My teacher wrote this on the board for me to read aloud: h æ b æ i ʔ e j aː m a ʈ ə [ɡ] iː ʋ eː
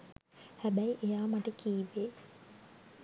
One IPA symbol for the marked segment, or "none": k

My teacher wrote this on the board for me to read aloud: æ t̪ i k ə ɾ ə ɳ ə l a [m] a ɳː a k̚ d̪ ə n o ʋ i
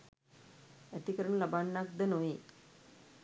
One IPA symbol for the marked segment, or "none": b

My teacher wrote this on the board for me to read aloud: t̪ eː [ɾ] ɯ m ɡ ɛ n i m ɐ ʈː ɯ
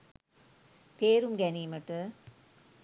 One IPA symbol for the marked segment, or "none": ɾ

